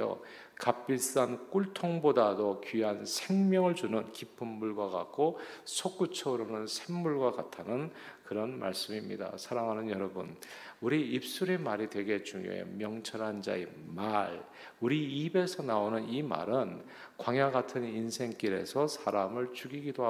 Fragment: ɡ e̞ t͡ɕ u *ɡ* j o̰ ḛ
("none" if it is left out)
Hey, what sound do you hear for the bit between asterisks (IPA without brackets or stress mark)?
ŋ